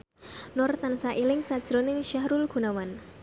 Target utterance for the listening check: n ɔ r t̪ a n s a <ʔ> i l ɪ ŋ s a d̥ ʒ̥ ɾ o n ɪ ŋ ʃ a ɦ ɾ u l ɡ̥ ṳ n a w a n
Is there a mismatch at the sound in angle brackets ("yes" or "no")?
no